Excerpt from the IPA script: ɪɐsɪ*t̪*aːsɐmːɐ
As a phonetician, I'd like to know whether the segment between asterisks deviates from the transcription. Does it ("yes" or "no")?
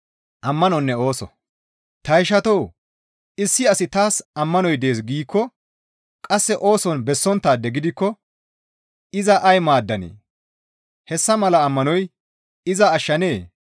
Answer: no